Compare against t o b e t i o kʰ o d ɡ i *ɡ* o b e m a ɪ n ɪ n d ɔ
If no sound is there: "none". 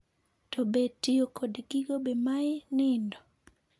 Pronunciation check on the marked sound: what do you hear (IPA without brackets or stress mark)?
ɡ